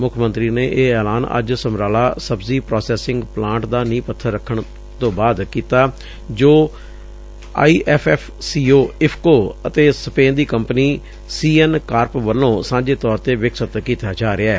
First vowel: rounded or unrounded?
rounded